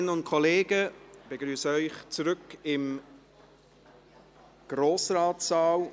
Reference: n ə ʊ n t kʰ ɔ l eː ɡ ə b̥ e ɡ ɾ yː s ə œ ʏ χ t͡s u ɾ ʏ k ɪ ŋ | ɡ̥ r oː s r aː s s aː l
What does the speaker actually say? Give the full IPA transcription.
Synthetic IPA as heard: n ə ʊ n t kʰ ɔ l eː ɡ ə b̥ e ɡ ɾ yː s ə œ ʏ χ t͡s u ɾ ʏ k ɪ m | ɡ̥ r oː s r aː t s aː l